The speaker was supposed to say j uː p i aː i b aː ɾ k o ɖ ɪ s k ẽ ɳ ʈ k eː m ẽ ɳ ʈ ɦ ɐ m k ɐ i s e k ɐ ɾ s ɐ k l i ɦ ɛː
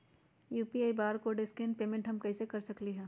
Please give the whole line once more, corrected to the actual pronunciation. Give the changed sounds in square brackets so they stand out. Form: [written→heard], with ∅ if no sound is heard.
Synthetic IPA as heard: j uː p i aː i b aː ɾ k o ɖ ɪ s k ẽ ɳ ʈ [k→p] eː m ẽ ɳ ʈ ɦ ɐ m k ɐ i s e k ɐ ɾ s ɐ k l i ɦ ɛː